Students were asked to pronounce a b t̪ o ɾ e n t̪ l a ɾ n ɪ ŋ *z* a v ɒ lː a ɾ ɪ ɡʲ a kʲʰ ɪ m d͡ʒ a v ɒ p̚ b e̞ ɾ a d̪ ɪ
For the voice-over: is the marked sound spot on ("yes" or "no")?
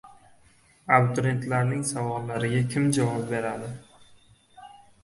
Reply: no